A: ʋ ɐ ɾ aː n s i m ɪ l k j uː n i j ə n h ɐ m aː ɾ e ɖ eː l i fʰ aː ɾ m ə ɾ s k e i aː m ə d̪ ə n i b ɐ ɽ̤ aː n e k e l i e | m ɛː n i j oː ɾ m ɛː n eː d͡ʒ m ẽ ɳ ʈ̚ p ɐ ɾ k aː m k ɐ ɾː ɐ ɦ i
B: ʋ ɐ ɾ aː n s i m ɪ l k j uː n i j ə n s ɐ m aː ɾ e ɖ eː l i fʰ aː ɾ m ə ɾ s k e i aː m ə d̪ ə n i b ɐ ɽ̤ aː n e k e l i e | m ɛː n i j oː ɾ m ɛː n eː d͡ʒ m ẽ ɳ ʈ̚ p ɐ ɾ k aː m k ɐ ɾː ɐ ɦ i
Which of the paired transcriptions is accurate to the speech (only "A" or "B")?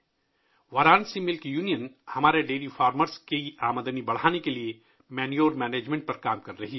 A